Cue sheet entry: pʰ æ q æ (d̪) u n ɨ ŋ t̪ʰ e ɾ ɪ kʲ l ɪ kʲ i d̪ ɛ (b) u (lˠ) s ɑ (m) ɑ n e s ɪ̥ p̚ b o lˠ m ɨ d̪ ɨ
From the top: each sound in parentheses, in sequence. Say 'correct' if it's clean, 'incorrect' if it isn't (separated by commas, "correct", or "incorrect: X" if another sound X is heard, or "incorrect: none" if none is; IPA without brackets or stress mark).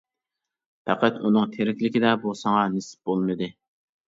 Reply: incorrect: t̪, correct, incorrect: none, incorrect: ŋ